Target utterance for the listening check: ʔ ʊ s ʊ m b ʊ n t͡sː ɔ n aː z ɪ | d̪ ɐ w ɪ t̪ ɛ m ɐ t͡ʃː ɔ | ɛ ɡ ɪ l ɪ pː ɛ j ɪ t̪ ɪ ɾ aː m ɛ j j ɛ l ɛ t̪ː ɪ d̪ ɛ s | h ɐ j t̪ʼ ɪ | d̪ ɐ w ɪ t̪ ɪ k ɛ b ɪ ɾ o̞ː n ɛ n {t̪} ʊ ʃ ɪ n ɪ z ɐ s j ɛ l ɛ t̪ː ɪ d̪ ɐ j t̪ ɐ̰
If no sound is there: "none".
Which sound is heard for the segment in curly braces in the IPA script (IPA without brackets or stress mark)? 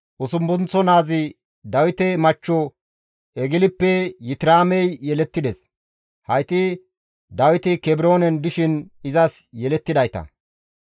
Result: d̪